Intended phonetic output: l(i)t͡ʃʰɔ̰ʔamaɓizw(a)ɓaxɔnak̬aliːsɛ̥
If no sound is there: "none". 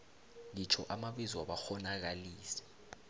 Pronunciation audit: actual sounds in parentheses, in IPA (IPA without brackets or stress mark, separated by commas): i, a